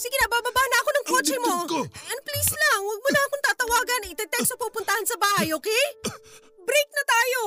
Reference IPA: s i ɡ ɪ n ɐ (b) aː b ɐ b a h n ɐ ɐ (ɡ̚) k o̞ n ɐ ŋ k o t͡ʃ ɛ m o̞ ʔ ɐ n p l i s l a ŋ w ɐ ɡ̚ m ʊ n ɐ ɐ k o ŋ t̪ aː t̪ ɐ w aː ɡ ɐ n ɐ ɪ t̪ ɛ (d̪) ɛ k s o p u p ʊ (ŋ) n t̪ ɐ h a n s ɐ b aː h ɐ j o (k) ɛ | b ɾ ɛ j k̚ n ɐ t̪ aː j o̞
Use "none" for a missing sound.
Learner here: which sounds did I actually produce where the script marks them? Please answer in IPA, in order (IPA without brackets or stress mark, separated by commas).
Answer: b, none, t̪, none, k